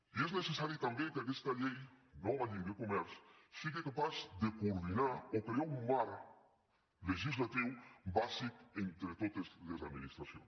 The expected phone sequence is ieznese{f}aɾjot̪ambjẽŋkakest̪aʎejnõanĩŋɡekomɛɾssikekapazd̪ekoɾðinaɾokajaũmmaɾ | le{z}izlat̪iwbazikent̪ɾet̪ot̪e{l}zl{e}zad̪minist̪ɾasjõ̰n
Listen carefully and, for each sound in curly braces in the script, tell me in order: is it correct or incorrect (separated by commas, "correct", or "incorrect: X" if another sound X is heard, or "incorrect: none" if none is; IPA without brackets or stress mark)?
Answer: incorrect: s, incorrect: ʒ, incorrect: none, correct